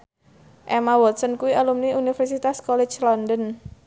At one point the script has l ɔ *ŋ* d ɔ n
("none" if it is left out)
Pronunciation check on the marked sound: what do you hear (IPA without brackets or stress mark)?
n